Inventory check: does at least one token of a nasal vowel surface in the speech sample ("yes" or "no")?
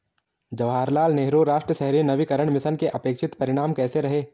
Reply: no